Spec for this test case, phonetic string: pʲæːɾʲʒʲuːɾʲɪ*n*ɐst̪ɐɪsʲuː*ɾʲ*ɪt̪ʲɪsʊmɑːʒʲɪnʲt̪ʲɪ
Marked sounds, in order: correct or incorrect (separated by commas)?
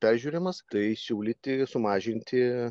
incorrect, incorrect